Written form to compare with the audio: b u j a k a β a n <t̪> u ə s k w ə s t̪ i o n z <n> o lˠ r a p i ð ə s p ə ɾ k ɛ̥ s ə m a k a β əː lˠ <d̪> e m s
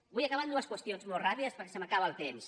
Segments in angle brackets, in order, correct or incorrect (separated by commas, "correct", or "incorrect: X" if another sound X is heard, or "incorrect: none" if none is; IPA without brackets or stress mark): incorrect: d̪, incorrect: m, incorrect: t̪